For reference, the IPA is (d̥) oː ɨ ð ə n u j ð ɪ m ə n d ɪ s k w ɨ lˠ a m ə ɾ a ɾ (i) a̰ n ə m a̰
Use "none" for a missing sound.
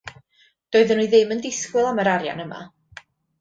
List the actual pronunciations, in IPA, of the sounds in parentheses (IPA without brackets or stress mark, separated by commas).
d̥, j